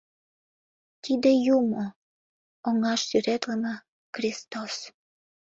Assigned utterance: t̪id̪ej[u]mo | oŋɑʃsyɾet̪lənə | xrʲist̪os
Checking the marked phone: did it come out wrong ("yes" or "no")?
no